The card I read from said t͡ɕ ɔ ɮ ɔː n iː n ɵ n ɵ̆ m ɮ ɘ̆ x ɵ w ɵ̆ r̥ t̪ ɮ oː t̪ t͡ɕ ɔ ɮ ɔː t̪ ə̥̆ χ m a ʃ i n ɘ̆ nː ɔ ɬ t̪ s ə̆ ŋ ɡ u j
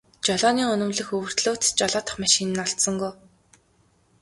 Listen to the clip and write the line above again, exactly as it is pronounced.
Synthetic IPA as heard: t͡ɕ ɔ ɮ ɔː n iː ŋ ɵ n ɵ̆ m ɮ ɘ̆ x ɵ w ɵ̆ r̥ t̪ ɮ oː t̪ t͡ɕ ɔ ɮ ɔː t̪ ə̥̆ χ m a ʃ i n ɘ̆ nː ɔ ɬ t̪ s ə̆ ŋ ɡ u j